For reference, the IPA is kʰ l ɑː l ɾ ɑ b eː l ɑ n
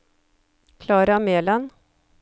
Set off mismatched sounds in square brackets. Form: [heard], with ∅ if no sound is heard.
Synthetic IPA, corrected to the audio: kʰ l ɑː [∅] ɾ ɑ [m] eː l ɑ n